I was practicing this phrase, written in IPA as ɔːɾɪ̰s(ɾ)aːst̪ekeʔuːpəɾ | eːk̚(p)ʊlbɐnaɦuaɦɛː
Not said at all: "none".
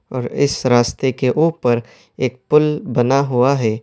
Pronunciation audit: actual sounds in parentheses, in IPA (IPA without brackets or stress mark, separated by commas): ɾ, p